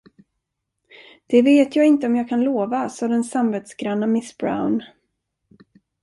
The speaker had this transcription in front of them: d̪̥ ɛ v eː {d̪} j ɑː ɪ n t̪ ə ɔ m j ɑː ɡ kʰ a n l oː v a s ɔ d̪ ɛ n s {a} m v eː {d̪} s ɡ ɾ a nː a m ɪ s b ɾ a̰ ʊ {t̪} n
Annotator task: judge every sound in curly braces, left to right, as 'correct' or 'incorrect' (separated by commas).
incorrect, correct, incorrect, incorrect